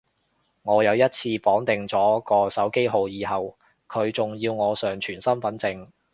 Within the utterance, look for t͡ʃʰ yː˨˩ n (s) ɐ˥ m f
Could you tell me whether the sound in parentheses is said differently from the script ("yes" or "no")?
no